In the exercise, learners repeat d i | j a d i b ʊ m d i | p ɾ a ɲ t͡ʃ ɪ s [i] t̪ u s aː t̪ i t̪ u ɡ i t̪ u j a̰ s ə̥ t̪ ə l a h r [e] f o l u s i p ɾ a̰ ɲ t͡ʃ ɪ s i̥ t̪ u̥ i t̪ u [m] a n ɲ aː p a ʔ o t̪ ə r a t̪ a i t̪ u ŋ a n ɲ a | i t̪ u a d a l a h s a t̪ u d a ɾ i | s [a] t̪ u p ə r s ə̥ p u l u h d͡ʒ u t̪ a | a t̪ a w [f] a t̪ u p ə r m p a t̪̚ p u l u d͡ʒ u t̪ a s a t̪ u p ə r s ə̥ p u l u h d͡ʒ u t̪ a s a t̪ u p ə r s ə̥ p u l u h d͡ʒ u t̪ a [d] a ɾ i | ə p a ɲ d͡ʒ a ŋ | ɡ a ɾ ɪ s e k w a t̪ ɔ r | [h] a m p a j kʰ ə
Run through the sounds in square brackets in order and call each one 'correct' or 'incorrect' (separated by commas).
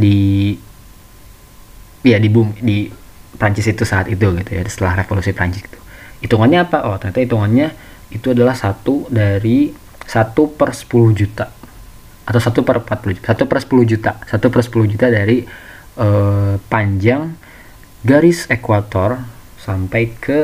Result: correct, correct, incorrect, correct, incorrect, correct, incorrect